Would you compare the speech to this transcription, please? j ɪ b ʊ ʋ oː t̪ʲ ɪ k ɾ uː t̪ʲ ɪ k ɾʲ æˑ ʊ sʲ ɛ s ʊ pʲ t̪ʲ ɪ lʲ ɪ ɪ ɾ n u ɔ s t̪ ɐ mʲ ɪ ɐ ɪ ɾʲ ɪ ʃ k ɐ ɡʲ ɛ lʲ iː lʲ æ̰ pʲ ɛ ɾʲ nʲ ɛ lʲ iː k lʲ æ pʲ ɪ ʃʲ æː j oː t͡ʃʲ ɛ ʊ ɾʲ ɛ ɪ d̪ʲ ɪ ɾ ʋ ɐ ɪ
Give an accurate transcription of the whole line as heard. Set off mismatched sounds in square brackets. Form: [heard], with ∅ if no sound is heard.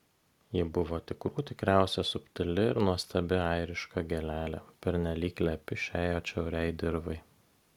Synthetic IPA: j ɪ b ʊ ʋ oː t̪ʲ ɪ k ɾ uː t̪ʲ ɪ k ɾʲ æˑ ʊ sʲ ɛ s ʊ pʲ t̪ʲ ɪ lʲ ɪ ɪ ɾ n u ɔ s t̪ ɐ [bʲ] ɪ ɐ ɪ ɾʲ ɪ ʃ k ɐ ɡʲ ɛ lʲ [æː] lʲ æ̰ pʲ ɛ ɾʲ nʲ ɛ lʲ iː k lʲ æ pʲ ɪ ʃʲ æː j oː t͡ʃʲ ɛ ʊ ɾʲ ɛ ɪ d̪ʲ ɪ ɾ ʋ ɐ ɪ

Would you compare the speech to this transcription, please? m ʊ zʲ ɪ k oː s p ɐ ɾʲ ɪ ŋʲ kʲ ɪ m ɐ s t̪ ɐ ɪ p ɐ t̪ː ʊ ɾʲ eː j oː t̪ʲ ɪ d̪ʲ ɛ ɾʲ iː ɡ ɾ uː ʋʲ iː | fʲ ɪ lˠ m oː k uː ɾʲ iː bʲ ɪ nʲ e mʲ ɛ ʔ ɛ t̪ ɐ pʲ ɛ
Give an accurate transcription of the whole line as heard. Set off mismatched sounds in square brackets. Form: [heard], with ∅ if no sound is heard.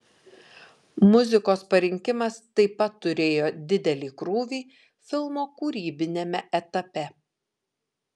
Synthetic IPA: m ʊ zʲ ɪ k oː s p ɐ ɾʲ ɪ ŋʲ kʲ ɪ m ɐ s t̪ ɐ ɪ p ɐ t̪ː ʊ ɾʲ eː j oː [d̪ʲ] ɪ d̪ʲ ɛ [lʲ] iː [k] ɾ uː ʋʲ iː | fʲ ɪ lˠ m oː k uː ɾʲ iː bʲ ɪ nʲ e mʲ ɛ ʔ ɛ t̪ ɐ pʲ ɛ

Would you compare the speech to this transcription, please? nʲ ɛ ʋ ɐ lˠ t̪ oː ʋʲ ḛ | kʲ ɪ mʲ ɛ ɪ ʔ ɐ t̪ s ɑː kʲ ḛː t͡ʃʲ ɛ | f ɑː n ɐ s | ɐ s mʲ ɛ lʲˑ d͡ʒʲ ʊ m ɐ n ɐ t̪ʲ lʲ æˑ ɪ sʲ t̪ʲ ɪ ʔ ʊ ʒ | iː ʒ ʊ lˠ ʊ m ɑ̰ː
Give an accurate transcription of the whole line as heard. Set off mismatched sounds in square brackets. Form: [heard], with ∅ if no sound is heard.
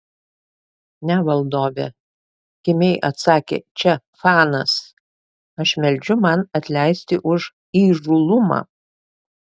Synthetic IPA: nʲ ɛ ʋ ɐ lˠ [d̪] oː ʋʲ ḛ | kʲ ɪ mʲ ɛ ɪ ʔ ɐ t̪ s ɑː kʲ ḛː t͡ʃʲ ɛ | f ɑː n ɐ s | ɐ [ʃ] mʲ ɛ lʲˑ d͡ʒʲ ʊ m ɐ n ɐ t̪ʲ lʲ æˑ ɪ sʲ t̪ʲ ɪ ʔ ʊ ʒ | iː ʒ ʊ lˠ ʊ m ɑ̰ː

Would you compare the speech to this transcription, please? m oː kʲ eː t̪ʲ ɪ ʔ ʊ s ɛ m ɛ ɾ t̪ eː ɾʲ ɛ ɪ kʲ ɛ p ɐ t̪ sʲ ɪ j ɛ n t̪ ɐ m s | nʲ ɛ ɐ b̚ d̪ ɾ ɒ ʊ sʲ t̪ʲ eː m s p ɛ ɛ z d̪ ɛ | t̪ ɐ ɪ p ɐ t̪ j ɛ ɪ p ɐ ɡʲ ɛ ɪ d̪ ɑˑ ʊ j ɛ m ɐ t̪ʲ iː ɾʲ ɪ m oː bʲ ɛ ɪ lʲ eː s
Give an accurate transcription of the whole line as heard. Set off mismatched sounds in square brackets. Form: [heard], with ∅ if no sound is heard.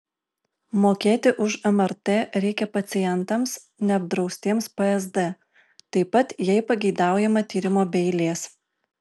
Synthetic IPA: m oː kʲ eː t̪ʲ ɪ ʔ ʊ [ʃ] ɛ m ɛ ɾ t̪ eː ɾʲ ɛ ɪ kʲ ɛ p ɐ t̪ sʲ ɪ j ɛ n t̪ ɐ m s | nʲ ɛ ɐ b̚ d̪ ɾ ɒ ʊ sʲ t̪ʲ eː m s p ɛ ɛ z d̪ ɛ | t̪ ɐ ɪ p ɐ t̪ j ɛ ɪ p ɐ ɡʲ ɛ ɪ d̪ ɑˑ ʊ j ɛ m ɐ t̪ʲ iː ɾʲ ɪ m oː bʲ ɛ ɪ lʲ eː s

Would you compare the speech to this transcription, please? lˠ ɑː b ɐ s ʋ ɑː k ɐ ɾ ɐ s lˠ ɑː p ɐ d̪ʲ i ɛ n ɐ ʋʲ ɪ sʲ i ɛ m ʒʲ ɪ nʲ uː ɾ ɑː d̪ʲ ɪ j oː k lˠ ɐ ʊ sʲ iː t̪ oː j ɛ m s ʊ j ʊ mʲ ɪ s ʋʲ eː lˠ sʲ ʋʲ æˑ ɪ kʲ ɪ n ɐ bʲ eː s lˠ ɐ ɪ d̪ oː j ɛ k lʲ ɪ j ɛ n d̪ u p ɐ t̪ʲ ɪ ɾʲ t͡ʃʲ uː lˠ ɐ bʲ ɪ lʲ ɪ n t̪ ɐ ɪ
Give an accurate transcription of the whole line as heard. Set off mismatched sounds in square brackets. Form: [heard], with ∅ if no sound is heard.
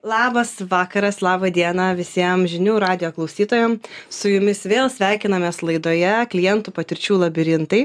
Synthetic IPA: lˠ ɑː b ɐ s ʋ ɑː k ɐ ɾ ɐ s lˠ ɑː [b] ɐ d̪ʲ i ɛ n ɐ ʋʲ ɪ sʲ i ɛ m ʒʲ ɪ nʲ uː ɾ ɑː d̪ʲ ɪ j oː k lˠ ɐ ʊ sʲ iː t̪ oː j ɛ m s ʊ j ʊ mʲ ɪ s ʋʲ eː lˠ sʲ ʋʲ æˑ ɪ kʲ ɪ n ɐ [mʲ] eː s lˠ ɐ ɪ d̪ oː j ɛ k lʲ ɪ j ɛ n [t̪] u p ɐ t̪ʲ ɪ ɾʲ t͡ʃʲ uː lˠ ɐ bʲ ɪ [ɾʲ] ɪ n t̪ ɐ ɪ

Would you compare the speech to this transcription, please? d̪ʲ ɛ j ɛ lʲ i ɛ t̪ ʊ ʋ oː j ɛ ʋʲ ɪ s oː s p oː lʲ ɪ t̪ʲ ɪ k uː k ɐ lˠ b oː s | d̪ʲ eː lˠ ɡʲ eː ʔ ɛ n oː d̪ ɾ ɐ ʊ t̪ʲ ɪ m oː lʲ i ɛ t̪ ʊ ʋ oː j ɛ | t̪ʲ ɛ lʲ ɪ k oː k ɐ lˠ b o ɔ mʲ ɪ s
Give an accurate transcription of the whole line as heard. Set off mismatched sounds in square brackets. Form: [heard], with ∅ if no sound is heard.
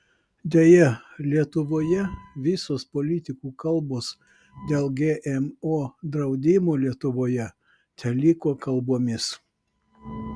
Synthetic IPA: d̪ʲ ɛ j ɛ lʲ i ɛ t̪ ʊ ʋ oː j ɛ ʋʲ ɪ s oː s p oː lʲ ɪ t̪ʲ ɪ k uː k ɐ lˠ b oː s | d̪ʲ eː lˠ ɡʲ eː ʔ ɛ [m] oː d̪ ɾ ɐ ʊ [d̪ʲ] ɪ m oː lʲ i ɛ t̪ ʊ ʋ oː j ɛ | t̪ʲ ɛ lʲ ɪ k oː k ɐ lˠ b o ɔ mʲ ɪ s

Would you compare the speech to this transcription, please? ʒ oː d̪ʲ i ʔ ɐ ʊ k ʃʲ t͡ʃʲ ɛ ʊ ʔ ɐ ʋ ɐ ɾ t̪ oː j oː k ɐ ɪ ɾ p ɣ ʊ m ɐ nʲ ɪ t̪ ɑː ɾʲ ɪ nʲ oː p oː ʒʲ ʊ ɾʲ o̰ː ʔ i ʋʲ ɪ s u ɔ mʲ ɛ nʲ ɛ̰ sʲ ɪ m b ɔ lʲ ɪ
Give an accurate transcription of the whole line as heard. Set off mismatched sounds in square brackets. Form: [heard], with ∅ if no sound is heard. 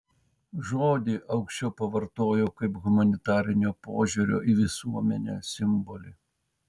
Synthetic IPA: ʒ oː d̪ʲ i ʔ ɐ ʊ k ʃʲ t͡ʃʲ ɛ ʊ [p] ɐ ʋ ɐ ɾ t̪ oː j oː k ɐ ɪ [∅] p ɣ ʊ m ɐ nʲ ɪ t̪ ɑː ɾʲ ɪ nʲ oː p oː ʒʲ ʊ ɾʲ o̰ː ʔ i ʋʲ ɪ s u ɔ mʲ ɛ nʲ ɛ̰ sʲ ɪ m b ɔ lʲ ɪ

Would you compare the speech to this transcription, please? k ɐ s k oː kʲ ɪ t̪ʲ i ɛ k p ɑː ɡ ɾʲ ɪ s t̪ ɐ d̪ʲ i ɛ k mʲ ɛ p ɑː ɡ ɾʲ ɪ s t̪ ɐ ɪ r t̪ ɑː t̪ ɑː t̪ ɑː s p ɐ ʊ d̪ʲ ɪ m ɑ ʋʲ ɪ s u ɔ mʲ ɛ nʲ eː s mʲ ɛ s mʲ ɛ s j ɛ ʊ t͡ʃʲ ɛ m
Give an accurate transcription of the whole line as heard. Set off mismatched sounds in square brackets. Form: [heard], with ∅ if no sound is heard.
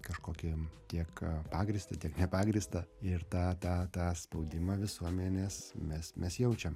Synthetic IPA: k ɐ [ʃ] k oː kʲ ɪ t̪ʲ i ɛ k p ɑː ɡ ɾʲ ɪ s t̪ ɐ [t̪ʲ] i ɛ k [nʲ] ɛ p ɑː ɡ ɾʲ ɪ s t̪ ɐ ɪ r t̪ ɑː t̪ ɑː t̪ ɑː s p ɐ ʊ d̪ʲ ɪ m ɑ ʋʲ ɪ s u ɔ mʲ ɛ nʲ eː s mʲ ɛ s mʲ ɛ s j ɛ ʊ t͡ʃʲ ɛ m

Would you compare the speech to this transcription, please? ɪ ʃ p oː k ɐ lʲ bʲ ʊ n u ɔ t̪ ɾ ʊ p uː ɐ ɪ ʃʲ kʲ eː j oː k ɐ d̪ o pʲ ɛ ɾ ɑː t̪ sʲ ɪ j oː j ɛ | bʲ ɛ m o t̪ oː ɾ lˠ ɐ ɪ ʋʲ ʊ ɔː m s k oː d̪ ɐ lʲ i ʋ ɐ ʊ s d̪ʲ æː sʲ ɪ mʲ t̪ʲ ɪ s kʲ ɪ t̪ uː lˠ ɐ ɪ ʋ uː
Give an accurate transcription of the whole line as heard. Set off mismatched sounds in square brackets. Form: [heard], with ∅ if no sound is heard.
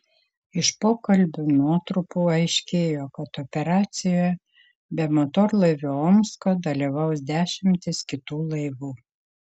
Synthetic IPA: ɪ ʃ p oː k ɐ lʲ bʲ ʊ n u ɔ t̪ ɾ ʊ p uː ɐ ɪ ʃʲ kʲ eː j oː k ɐ [t̪] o pʲ ɛ ɾ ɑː t̪ sʲ ɪ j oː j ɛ | bʲ ɛ m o t̪ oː ɾ lˠ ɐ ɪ ʋʲ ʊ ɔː m s k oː d̪ ɐ lʲ i ʋ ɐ ʊ s d̪ʲ æː [ʃʲ] ɪ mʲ t̪ʲ ɪ s kʲ ɪ t̪ uː lˠ ɐ ɪ ʋ uː

